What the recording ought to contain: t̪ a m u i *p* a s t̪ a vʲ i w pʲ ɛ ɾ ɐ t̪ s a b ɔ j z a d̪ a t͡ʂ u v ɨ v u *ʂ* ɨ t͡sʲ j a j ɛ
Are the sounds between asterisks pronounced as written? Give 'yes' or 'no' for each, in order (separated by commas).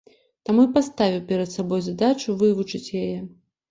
yes, no